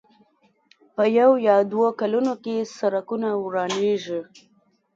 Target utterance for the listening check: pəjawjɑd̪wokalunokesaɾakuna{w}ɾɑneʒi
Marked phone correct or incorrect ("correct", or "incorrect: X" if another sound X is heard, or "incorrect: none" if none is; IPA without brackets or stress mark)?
correct